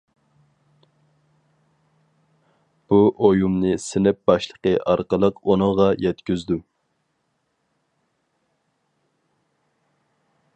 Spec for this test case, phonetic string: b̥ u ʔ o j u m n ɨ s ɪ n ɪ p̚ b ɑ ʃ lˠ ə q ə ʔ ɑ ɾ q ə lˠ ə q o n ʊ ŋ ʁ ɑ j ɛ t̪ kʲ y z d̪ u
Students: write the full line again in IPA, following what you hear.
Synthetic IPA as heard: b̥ u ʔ o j u m n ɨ s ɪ n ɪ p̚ b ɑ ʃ lˠ ə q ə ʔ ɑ ɾ q ə lˠ ə q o n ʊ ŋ ʁ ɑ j ɛ t̪ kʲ y z d̪ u

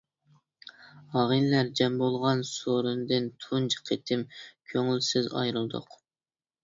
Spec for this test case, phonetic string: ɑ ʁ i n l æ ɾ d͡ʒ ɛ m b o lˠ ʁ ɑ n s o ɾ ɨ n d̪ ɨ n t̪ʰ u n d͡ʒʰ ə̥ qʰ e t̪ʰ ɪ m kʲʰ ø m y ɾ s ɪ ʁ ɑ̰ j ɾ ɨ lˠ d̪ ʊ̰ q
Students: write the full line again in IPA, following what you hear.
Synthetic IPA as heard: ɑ ʁ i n l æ ɾ d͡ʒ ɛ m b o lˠ ʁ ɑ n s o ɾ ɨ n d̪ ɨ n t̪ʰ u n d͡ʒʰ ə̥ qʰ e t̪ʰ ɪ m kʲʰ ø ŋ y l s ɪ z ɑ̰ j ɾ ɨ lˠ d̪ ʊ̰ q

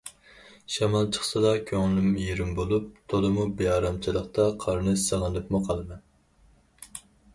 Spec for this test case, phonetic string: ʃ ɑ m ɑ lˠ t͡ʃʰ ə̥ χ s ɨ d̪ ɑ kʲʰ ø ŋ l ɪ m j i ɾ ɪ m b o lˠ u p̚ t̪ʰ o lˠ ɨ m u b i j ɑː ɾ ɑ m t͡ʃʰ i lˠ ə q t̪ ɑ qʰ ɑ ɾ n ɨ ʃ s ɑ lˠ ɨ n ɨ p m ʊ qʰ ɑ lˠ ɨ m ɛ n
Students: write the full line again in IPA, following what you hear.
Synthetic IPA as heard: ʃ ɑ m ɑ lˠ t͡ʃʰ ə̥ χ s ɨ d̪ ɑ kʲʰ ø ŋ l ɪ m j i ɾ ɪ m b o lˠ u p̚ t̪ʰ o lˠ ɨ m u b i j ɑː ɾ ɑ m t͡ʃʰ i lˠ ə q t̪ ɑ qʰ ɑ ɾ n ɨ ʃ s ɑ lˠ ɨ n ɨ p m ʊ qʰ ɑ lˠ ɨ m ɛ n

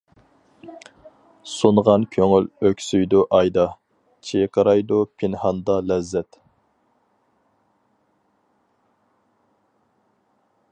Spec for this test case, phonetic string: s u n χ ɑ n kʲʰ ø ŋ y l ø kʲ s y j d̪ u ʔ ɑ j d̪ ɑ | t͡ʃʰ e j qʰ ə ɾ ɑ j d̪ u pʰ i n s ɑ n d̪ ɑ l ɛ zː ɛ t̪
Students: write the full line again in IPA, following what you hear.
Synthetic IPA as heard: s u n ʁ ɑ n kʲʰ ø ŋ y l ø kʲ s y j d̪ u ʔ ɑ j d̪ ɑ | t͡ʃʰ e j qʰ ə ɾ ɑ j d̪ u pʰ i n h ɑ n d̪ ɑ l ɛ zː ɛ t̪

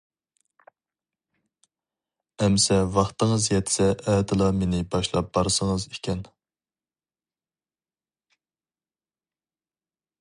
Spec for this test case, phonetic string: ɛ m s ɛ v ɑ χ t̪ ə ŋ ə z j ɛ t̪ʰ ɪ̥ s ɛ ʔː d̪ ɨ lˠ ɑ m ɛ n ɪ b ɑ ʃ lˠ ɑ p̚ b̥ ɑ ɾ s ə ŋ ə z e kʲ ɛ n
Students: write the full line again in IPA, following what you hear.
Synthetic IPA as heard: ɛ m s ɛ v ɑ χ t̪ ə ŋ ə z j ɛ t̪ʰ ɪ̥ s ɛ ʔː d̪ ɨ lˠ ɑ m e n ɪ b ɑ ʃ lˠ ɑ p̚ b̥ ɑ ɾ s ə ŋ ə z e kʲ ɛ n

